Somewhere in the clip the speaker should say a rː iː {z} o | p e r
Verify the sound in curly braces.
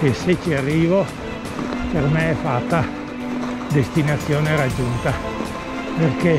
incorrect: v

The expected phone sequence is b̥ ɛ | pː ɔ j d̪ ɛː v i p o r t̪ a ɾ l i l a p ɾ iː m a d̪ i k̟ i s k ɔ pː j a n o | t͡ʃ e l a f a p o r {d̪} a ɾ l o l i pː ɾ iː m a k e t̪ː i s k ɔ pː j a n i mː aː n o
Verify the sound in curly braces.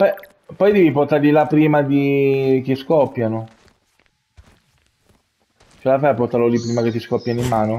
incorrect: t̪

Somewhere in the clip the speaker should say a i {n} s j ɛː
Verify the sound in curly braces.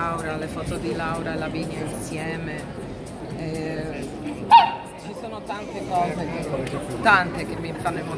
correct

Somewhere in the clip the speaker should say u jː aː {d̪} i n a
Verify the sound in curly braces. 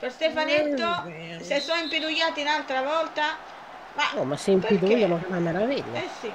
incorrect: t̪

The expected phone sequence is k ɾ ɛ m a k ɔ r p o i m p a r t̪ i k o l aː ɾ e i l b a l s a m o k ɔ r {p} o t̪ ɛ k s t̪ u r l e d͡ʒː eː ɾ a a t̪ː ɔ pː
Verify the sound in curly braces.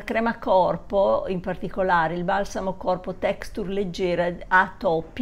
correct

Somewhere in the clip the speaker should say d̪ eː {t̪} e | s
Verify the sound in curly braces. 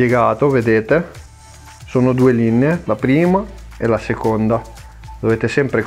correct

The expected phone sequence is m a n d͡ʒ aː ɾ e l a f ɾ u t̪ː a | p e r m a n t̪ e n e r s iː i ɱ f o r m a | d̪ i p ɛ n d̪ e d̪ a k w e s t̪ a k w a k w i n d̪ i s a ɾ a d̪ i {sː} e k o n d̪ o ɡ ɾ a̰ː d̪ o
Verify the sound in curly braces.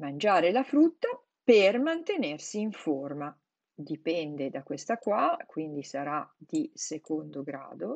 incorrect: s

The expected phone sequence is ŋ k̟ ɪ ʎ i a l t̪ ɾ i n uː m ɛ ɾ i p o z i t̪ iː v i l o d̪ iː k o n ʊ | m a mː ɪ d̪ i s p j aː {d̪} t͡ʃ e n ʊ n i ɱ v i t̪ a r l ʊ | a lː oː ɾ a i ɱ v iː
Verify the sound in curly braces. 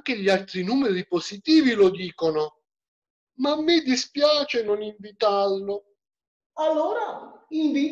incorrect: none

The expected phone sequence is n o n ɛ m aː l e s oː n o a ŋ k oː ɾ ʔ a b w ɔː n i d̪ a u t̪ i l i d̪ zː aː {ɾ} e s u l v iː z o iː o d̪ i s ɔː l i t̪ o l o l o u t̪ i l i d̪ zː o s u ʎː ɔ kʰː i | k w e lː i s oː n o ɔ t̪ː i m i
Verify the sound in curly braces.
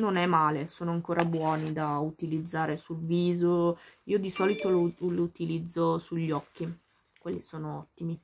correct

